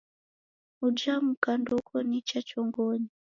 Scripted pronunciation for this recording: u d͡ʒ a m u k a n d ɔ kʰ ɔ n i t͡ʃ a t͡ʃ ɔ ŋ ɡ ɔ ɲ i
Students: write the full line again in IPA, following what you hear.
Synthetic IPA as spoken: u d͡ʒ a m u k a n d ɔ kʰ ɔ n i t͡ʃ a t͡ʃ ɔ ŋ ɡ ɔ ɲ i

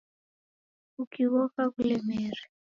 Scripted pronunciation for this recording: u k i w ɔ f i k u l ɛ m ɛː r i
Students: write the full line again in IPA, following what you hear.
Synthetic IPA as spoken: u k i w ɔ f a k u l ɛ m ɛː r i

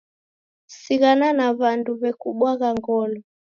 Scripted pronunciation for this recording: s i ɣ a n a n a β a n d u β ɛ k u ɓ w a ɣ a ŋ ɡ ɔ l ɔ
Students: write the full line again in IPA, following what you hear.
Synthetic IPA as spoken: s i ɣ a n a n a β a n d u β ɛ k u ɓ w a ɣ a ŋ ɡ ɔ l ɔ

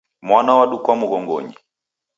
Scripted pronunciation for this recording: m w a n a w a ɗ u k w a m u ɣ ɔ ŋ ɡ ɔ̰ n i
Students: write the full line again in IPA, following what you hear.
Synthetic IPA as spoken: m w a n a w a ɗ u k w a m u ɣ ɔ ŋ ɡ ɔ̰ ɲ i

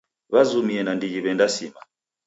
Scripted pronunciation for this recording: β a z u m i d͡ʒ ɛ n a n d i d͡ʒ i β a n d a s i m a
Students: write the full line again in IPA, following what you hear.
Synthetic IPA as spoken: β a z u m i ɛ n a n d i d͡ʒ i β ɛ n d a s i m a

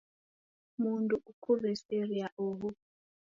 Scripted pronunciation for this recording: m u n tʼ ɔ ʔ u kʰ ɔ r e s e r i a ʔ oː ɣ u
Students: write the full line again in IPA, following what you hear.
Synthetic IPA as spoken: m u n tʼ u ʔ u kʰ u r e s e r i a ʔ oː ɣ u

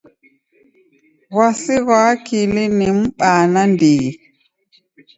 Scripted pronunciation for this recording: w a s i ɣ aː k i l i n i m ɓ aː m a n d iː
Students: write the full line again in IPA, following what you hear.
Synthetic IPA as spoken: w a s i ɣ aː k i l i n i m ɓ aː n a n d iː

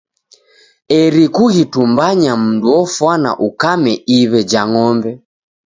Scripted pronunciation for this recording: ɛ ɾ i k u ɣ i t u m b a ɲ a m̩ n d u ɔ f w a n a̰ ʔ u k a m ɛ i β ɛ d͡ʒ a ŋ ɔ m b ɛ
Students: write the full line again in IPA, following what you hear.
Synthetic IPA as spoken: ɛ ɾ i k u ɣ i t u m b a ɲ a m̩ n d u ɔ f w a n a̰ ʔ u k a m ɛ i β ɛ d͡ʒ a ŋ ɔ m b ɛ

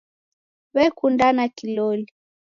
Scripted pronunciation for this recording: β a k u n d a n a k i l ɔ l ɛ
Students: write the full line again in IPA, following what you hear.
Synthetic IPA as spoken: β ɛ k u n d a n a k i l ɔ l i

